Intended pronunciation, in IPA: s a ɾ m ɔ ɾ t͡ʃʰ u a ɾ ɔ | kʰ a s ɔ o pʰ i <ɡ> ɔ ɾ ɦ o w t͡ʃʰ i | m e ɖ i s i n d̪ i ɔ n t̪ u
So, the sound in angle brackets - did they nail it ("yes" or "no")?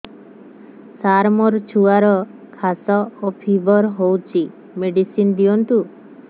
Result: no